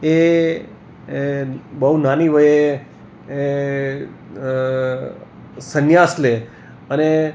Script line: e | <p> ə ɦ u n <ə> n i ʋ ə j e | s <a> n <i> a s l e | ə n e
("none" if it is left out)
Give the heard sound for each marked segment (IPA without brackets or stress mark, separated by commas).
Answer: b, a, ə, j